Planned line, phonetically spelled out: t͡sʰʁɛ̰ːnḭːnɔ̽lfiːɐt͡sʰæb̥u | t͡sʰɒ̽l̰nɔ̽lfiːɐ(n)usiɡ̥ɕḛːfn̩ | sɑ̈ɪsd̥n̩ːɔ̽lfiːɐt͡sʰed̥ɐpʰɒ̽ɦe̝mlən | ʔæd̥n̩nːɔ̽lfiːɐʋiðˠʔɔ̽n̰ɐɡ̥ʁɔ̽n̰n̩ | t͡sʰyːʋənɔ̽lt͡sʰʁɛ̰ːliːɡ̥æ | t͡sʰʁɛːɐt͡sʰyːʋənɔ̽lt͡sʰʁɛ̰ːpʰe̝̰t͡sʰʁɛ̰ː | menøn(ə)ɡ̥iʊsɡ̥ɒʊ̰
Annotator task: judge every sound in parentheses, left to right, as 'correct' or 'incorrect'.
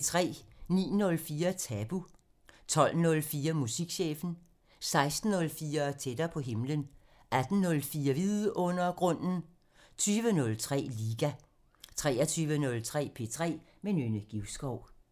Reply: incorrect: m, correct

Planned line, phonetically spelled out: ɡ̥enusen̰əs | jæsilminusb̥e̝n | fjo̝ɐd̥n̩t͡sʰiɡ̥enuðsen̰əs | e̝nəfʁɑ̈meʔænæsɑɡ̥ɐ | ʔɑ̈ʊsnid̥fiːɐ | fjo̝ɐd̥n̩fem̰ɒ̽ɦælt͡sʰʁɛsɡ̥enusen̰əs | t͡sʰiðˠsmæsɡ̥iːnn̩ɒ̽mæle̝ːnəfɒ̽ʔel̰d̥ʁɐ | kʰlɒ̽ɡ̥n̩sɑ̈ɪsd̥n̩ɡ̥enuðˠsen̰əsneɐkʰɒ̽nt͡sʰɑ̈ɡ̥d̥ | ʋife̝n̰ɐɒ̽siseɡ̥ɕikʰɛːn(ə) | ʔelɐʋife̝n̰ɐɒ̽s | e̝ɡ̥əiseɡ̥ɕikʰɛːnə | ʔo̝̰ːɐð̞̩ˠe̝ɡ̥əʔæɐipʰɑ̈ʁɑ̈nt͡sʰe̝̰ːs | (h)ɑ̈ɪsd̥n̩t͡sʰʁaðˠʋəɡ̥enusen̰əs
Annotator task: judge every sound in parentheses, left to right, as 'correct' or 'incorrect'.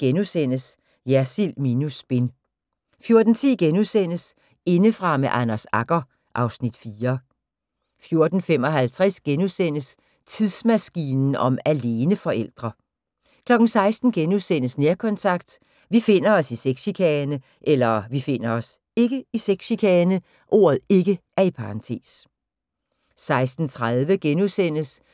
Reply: correct, incorrect: s

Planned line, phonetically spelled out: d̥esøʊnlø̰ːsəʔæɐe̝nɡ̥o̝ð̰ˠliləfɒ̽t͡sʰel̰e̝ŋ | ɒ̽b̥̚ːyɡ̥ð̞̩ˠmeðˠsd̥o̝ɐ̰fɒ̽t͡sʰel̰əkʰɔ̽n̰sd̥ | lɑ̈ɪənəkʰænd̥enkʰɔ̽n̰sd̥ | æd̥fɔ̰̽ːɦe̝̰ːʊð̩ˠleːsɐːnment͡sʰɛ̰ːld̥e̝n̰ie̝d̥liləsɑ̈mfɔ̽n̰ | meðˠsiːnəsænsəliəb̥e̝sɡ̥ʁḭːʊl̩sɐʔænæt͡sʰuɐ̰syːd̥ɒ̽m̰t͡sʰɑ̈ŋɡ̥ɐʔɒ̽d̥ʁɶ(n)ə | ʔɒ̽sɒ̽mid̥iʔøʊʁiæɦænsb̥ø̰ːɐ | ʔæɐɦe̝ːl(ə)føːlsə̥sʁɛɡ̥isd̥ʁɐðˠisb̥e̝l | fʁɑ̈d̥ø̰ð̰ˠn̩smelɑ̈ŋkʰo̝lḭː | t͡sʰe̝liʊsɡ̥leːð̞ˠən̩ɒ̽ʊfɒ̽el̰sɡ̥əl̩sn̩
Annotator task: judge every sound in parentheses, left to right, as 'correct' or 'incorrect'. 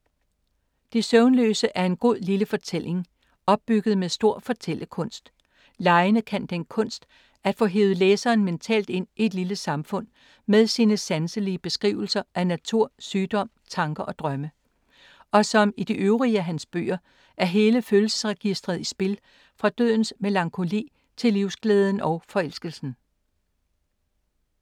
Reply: incorrect: m, correct

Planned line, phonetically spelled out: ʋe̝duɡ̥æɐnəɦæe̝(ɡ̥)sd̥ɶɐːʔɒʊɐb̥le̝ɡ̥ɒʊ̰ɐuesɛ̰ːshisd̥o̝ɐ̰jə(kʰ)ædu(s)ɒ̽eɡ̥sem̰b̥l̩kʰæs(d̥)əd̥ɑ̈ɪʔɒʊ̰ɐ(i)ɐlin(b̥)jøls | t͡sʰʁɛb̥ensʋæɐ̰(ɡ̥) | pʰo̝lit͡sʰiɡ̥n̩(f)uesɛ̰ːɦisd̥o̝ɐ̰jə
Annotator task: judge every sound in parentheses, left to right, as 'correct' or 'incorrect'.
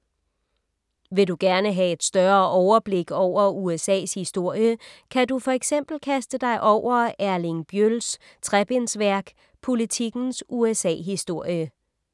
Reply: incorrect: d̥, correct, incorrect: f, correct, incorrect: æ, correct, correct, incorrect: s

